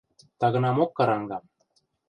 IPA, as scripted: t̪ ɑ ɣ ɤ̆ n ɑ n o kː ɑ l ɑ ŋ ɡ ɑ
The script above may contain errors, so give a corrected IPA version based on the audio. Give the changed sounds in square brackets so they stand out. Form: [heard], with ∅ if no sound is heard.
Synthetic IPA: t̪ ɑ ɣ ɤ̆ n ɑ [m] o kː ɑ [ɾ] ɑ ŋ ɡ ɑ